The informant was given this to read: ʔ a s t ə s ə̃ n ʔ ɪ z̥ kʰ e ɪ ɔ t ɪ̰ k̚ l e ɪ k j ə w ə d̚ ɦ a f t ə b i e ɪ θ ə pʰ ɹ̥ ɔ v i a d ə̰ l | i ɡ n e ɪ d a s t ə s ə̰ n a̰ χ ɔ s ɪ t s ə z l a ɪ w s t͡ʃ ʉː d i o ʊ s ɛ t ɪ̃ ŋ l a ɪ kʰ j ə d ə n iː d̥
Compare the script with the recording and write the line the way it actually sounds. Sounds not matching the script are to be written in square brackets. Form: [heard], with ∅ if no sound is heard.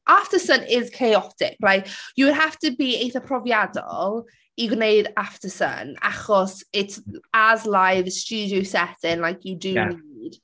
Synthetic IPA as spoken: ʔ a [f] t ə s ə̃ n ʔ ɪ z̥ kʰ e ɪ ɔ t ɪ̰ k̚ l [a] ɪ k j ə w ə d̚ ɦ a f t ə b i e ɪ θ ə pʰ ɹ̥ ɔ v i a d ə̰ l | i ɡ n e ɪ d a [f] t ə s ə̰ n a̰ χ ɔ s ɪ t s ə z l a ɪ [v] s t͡ʃ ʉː d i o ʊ s ɛ t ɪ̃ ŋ l a ɪ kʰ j ə d ə n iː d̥